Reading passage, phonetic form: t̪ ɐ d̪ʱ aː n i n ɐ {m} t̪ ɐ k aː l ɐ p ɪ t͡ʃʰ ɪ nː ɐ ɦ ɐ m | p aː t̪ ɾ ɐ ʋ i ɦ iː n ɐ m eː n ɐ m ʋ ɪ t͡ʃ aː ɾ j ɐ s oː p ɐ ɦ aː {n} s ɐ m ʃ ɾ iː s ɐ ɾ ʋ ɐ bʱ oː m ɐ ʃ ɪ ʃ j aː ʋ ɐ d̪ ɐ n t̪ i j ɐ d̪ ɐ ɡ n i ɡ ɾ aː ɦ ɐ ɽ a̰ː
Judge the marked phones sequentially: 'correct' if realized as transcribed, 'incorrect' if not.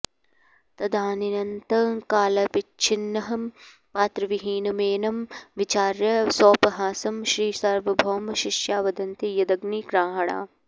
incorrect, incorrect

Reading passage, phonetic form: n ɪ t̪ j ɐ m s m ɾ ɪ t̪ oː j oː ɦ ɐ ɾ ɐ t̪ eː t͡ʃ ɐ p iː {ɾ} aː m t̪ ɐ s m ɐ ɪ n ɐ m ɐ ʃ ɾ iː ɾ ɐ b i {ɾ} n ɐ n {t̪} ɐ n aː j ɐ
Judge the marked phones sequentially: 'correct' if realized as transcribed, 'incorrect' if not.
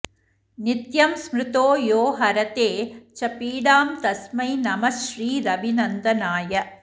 incorrect, incorrect, incorrect

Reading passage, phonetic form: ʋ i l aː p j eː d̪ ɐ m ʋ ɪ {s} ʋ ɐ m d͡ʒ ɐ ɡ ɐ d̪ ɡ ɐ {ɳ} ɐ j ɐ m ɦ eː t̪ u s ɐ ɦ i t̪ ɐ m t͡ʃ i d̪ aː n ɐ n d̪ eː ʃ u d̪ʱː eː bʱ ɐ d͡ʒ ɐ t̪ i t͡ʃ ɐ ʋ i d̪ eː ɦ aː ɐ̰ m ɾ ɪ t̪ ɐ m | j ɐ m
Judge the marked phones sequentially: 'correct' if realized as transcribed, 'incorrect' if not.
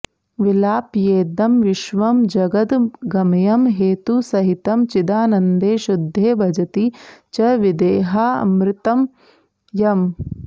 incorrect, incorrect

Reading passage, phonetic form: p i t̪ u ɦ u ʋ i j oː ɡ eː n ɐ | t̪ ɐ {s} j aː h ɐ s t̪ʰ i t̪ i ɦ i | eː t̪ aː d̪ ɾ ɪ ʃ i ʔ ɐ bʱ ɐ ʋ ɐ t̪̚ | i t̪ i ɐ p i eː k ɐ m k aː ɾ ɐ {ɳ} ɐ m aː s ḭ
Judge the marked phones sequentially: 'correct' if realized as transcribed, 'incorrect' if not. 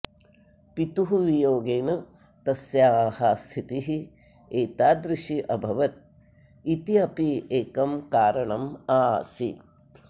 correct, correct

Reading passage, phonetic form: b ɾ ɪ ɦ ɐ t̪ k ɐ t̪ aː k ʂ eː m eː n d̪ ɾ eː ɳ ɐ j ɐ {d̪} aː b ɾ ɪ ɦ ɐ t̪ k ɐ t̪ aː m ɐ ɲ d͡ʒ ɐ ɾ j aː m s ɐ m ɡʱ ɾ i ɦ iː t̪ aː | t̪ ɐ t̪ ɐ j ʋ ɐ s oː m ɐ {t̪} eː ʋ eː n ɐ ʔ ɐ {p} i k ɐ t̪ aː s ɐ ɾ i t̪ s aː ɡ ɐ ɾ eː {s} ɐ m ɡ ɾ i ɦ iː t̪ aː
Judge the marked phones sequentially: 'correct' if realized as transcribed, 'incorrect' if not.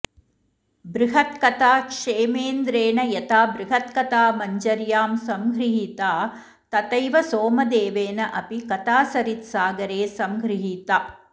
incorrect, incorrect, correct, correct

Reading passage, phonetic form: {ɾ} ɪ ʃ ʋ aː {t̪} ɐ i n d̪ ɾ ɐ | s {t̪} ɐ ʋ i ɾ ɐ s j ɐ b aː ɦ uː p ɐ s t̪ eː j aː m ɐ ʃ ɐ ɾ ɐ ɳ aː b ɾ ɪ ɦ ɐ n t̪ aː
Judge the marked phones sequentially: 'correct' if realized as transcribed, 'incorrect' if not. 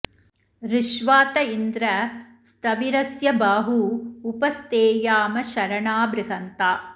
correct, correct, correct

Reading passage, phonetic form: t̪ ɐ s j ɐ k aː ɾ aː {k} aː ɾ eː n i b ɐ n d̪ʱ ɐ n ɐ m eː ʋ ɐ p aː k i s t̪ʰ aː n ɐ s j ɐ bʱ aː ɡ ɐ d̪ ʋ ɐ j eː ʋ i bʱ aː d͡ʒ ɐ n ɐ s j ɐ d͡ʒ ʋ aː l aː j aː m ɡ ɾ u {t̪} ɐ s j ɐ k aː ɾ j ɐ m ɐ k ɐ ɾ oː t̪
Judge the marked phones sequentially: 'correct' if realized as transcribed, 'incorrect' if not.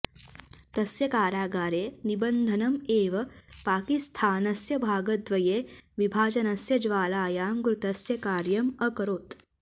incorrect, correct

